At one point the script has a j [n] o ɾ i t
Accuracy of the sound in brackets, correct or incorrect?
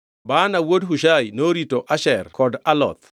correct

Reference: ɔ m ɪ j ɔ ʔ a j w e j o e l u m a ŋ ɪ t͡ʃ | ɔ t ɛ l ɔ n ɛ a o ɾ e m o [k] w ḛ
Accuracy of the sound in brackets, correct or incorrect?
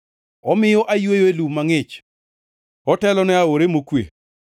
correct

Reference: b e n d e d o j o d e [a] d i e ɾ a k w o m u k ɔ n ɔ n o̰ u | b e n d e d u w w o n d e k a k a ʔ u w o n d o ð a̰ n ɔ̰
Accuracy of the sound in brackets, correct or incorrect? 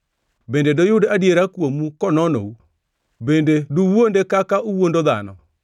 correct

